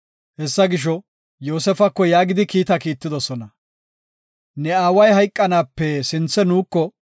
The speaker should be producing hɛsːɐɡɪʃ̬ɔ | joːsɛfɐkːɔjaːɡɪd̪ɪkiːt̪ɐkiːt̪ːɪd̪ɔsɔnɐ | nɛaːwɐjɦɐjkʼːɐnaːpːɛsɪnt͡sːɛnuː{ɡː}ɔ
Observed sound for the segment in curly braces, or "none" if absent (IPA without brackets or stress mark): kː